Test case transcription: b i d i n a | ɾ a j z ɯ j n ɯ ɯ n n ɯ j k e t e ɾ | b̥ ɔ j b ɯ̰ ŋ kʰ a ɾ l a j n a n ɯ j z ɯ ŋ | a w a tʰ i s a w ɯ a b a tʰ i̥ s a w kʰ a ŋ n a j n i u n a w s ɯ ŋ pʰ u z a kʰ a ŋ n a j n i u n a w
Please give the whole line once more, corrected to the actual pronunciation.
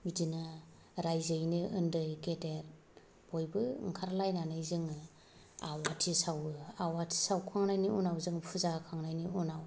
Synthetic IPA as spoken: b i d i n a | ɾ a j z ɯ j n ɯ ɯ n d ɯ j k e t e ɾ | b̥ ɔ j b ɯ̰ ŋ kʰ a ɾ l a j n a n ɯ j z ɯ ŋ | a w a tʰ i s a w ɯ a w a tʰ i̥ s a w kʰ a ŋ n a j n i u n a w z ɯ ŋ pʰ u z a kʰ a ŋ n a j n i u n a w